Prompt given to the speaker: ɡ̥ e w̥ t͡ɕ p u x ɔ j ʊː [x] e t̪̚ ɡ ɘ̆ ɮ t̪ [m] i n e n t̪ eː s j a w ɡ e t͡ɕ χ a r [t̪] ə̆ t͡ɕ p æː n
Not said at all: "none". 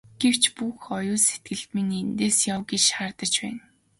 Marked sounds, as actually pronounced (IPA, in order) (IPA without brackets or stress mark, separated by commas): s, m, t̪